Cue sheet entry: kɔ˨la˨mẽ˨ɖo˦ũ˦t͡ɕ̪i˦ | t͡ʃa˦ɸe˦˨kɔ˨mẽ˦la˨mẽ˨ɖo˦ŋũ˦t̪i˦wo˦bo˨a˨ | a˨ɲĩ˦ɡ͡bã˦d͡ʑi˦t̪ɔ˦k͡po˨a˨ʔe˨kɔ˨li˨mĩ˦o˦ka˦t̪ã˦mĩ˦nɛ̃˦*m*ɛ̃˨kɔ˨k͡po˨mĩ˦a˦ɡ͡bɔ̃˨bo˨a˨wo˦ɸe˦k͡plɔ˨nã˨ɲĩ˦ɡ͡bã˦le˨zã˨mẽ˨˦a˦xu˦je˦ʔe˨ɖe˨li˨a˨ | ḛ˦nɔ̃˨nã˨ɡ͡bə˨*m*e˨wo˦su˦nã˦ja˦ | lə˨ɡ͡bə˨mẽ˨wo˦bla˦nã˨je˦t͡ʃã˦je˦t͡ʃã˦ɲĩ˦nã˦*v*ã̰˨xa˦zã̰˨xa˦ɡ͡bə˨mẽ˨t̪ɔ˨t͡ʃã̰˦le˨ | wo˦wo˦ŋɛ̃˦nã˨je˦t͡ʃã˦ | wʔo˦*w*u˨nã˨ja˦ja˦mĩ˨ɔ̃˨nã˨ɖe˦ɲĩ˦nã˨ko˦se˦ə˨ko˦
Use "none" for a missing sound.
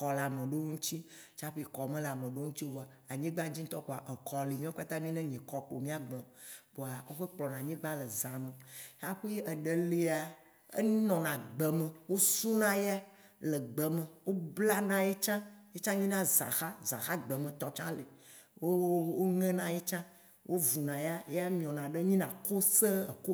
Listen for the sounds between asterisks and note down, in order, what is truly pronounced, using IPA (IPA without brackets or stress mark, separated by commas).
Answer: ɲ, m, z, v